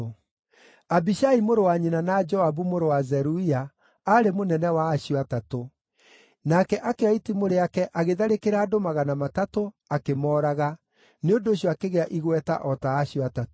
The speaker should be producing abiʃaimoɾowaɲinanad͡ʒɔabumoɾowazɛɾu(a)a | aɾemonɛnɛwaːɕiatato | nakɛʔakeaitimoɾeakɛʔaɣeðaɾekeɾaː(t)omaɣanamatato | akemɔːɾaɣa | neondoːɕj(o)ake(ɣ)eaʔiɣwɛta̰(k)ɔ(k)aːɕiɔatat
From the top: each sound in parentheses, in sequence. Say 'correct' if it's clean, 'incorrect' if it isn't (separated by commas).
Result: incorrect, incorrect, incorrect, correct, incorrect, incorrect